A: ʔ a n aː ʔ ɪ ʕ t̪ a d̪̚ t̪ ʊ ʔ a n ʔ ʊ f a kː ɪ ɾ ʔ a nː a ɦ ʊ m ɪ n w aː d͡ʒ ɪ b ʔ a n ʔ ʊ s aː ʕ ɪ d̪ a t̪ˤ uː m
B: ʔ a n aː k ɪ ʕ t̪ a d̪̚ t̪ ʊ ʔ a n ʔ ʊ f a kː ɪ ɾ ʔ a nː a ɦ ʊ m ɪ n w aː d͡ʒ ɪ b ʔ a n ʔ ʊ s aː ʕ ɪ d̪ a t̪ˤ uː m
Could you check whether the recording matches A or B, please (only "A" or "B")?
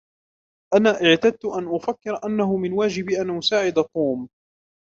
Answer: A